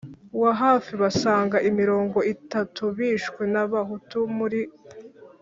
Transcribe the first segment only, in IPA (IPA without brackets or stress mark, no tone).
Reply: w